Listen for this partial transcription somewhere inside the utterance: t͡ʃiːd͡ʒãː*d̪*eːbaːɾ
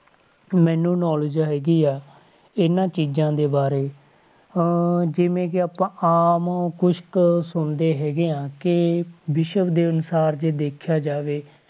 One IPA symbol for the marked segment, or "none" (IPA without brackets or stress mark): d̪